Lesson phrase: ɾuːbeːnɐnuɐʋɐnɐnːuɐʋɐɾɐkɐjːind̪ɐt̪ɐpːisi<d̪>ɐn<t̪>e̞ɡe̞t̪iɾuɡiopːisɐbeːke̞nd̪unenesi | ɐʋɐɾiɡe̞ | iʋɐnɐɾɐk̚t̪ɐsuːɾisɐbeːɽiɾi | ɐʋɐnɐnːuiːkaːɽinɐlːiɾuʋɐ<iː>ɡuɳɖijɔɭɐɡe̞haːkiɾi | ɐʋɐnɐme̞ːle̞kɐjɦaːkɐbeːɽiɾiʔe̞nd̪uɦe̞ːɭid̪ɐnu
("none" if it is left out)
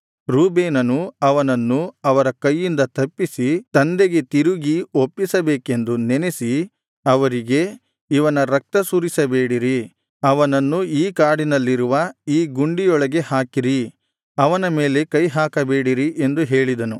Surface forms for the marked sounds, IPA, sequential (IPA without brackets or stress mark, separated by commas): t̪, d̪, iː